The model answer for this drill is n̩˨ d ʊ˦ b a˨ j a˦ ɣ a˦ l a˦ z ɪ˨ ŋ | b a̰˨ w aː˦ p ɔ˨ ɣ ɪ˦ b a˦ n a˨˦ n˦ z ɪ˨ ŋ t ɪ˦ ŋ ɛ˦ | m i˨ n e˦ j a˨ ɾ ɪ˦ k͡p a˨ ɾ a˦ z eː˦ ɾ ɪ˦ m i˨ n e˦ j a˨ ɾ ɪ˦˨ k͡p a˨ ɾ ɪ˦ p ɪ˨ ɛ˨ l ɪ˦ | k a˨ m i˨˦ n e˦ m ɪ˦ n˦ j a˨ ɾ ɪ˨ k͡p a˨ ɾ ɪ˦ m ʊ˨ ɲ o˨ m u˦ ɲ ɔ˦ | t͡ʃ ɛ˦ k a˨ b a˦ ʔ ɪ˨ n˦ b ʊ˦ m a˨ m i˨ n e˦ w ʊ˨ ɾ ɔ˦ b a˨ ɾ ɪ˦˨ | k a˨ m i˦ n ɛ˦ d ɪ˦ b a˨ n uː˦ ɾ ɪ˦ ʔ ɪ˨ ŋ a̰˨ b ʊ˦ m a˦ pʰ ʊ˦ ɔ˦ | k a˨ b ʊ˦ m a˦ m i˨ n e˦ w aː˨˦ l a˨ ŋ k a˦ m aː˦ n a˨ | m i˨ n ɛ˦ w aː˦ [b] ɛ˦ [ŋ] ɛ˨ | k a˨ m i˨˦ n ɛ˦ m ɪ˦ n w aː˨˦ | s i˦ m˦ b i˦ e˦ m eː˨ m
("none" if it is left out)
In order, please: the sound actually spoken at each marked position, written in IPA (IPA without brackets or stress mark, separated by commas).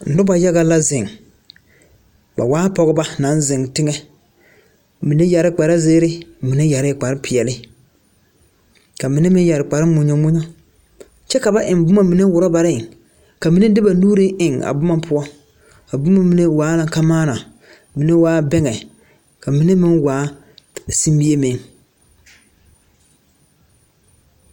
b, ŋ